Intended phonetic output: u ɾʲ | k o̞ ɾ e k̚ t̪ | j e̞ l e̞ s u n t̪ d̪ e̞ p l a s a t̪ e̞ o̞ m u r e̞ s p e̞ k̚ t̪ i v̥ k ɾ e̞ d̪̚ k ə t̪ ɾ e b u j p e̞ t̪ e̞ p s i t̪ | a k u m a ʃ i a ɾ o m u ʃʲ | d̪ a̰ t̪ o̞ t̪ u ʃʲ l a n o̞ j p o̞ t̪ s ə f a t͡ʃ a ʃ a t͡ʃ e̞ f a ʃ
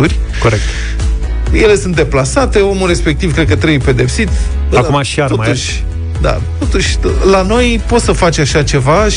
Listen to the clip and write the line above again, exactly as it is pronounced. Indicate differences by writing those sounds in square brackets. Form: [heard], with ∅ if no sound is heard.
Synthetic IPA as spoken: u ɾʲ | k o̞ ɾ e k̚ t̪ | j e̞ l e̞ s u n t̪ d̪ e̞ p l a s a t̪ e̞ o̞ m u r e̞ s p e̞ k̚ t̪ i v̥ k ɾ e̞ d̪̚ k ə t̪ ɾ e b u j p e̞ [d̪] e̞ p s i t̪ | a k u m a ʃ i a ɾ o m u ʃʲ | d̪ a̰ t̪ o̞ t̪ u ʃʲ l a n o̞ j p o̞ t̪ s ə f a t͡ʃ a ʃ a t͡ʃ e̞ [v] a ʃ